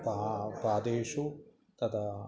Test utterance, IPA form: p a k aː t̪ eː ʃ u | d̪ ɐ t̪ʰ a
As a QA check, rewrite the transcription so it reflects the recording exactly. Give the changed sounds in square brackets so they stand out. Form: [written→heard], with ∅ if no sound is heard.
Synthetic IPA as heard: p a [k→p] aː [t̪→d̪] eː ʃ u | [d̪→t̪] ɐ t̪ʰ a